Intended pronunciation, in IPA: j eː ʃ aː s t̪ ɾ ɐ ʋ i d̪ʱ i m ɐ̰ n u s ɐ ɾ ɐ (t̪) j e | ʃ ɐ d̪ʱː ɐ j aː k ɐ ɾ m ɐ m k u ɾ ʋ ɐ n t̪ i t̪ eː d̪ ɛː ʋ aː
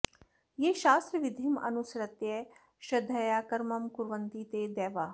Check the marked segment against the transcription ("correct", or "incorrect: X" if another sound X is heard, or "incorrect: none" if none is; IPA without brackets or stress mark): correct